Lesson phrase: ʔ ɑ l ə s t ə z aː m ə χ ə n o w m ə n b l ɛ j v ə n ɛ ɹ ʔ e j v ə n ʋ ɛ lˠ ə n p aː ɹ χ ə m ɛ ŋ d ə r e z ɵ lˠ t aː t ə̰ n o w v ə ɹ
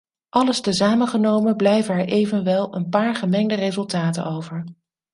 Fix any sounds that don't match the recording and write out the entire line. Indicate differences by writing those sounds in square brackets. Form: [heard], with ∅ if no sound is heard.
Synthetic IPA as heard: ʔ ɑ l ə s t ə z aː m ə χ ə n o w m ə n b l ɛ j v ə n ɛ ɹ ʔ e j v ə n ʋ ɛ lˠ ə n p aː ɹ χ ə m ɛ ŋ d ə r e z ɵ lˠ t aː t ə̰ n o w v ə ɹ